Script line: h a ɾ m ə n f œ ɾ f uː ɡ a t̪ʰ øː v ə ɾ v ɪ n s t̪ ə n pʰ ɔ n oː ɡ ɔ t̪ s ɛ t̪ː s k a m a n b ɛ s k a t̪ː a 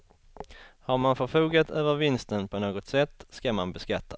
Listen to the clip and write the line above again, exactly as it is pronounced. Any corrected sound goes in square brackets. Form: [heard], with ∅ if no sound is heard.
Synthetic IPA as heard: h a ɾ m [a] n f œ ɾ f uː ɡ a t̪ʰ øː v ə ɾ v ɪ n s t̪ ə n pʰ ɔ n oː ɡ ɔ t̪ s ɛ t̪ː s k a m a n b ɛ s k a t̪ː a